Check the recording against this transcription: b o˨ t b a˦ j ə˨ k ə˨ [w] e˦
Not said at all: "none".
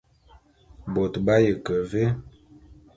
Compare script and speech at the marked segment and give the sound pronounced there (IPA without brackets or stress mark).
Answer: v